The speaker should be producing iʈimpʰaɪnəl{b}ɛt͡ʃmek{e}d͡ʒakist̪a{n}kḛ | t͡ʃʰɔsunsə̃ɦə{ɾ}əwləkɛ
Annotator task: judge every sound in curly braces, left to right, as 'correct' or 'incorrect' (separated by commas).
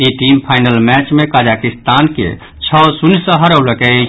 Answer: incorrect, incorrect, correct, correct